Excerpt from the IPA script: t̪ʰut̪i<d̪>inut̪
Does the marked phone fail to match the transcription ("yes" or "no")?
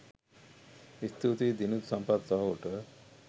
no